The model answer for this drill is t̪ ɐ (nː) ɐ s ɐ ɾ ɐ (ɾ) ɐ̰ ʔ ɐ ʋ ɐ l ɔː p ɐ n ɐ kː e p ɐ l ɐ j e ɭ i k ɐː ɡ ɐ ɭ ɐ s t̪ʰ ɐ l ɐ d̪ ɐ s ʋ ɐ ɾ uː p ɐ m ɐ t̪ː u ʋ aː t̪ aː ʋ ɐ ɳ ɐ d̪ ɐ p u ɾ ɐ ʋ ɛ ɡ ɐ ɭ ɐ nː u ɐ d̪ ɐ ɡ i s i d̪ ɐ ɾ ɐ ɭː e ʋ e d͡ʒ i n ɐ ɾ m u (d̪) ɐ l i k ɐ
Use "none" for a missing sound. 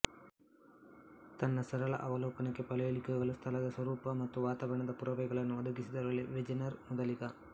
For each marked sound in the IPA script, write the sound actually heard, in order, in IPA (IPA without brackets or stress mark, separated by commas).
nː, ɭ, d̪